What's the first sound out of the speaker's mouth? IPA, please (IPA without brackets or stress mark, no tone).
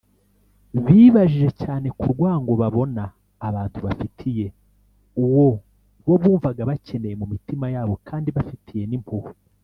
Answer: β